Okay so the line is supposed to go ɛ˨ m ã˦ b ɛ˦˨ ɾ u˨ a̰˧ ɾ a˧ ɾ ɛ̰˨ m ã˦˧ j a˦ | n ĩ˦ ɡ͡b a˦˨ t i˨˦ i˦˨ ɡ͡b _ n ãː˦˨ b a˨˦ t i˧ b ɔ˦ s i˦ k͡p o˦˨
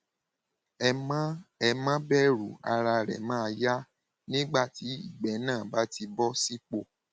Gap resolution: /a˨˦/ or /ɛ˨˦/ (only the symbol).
ɛ˨˦